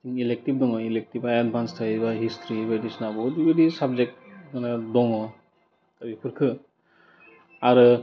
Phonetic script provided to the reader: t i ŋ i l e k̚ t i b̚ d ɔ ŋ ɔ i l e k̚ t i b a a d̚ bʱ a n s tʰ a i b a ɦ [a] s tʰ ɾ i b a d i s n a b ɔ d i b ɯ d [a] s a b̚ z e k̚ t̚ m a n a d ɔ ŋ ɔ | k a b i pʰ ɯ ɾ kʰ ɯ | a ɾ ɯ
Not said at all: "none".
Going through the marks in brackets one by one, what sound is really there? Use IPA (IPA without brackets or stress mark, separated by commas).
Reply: i, i